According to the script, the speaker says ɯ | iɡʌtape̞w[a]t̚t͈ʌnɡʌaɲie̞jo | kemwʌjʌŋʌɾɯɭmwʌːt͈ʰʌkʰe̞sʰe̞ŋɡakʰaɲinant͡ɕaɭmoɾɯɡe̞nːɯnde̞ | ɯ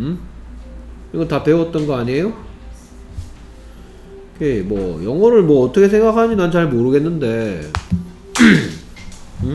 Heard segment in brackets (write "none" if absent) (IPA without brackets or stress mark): ʌ